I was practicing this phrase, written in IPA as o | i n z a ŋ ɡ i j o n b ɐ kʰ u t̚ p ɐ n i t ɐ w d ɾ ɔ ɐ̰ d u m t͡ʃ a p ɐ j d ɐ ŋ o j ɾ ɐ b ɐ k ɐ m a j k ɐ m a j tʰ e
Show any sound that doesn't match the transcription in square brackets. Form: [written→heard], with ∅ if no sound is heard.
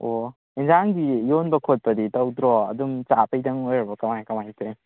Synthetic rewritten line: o | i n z a ŋ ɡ i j o n b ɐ kʰ [u→o] t̚ p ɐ [n→d] i t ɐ w d ɾ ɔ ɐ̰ d u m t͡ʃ a p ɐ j d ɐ ŋ o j ɾ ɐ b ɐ k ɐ m a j k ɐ m a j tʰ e

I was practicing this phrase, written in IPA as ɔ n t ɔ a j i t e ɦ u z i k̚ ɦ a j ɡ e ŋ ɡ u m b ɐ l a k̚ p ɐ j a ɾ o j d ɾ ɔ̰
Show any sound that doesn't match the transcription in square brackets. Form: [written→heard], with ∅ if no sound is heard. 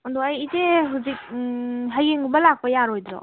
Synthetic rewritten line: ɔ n [t→d] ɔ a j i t e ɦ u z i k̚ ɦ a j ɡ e ŋ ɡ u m b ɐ l a k̚ p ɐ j a ɾ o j d ɾ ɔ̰

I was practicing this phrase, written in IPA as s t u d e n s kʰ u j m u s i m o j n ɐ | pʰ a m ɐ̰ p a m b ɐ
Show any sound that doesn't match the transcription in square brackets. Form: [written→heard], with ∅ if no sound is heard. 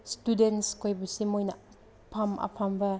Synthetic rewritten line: s t u d e n s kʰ [u→o] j [m→b] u s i m o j n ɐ | pʰ a m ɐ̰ [p→pʰ] a m b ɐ

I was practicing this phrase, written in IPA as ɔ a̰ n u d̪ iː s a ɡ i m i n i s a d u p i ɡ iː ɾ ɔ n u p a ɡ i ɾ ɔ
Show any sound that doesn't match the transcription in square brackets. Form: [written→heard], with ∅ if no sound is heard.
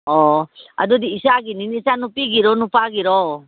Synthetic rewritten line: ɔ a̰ [n→d] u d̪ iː s a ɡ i [m→n] i n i s a [d→n] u p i ɡ [iː→i] ɾ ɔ n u p a ɡ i ɾ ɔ

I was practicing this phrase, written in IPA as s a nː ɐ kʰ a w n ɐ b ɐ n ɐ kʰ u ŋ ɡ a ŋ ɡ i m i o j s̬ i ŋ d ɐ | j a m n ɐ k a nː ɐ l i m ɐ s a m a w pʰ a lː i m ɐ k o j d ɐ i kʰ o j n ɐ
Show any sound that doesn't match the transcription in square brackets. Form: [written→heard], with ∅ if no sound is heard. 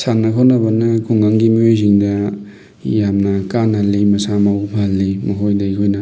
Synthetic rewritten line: s a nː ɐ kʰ a w n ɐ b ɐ n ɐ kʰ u ŋ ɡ a ŋ ɡ i m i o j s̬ i ŋ d ɐ | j a m n ɐ k a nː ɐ l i m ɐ s a m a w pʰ a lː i m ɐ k o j d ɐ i kʰ o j n ɐ

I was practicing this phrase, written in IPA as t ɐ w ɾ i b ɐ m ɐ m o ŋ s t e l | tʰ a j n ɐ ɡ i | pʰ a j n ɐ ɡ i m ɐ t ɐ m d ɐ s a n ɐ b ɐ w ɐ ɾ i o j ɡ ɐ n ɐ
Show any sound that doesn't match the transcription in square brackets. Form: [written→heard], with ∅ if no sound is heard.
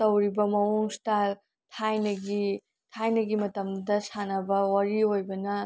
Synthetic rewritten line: t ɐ w ɾ i b ɐ m ɐ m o ŋ s t [e→a] l | tʰ a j n ɐ ɡ i | [pʰ→tʰ] a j n ɐ ɡ i m ɐ t ɐ m d ɐ s a n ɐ b ɐ w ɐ ɾ i o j [ɡ→b] ɐ n ɐ

